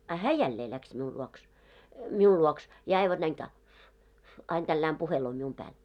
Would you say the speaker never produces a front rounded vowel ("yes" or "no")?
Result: yes